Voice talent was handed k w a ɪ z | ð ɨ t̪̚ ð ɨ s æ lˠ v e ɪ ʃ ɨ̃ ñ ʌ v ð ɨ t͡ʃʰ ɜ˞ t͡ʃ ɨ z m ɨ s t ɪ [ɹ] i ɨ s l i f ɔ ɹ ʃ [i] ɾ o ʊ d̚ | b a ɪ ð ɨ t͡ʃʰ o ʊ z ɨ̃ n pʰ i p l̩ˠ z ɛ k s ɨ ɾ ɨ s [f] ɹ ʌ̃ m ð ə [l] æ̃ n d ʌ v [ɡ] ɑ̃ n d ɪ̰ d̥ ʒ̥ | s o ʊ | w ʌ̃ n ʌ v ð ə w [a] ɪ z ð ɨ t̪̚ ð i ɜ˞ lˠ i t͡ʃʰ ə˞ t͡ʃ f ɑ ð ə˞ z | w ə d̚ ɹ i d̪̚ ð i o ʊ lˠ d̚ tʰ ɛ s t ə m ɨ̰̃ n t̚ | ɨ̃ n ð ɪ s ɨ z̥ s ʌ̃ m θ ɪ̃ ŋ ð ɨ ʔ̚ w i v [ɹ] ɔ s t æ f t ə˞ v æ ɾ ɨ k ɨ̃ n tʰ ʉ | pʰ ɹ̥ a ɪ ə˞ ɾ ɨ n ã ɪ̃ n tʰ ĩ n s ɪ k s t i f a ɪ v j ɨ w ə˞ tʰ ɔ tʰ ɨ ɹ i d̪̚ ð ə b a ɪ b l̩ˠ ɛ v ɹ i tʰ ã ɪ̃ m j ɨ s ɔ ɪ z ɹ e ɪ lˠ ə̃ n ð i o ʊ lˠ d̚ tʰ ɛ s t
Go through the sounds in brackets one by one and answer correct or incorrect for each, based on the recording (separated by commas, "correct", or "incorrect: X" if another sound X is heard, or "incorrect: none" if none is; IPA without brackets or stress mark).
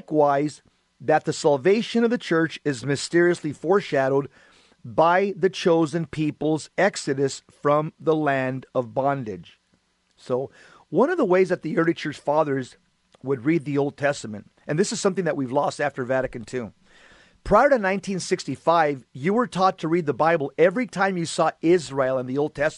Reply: correct, incorrect: æ, correct, correct, incorrect: b, incorrect: e, incorrect: l